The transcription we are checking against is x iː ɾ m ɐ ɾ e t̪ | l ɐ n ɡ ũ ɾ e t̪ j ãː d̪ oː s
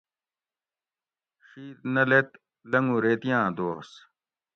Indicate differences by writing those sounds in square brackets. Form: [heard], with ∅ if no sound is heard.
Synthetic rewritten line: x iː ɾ [n] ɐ [l] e t̪ | l ɐ [ŋ] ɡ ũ ɾ e t̪ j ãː d̪ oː s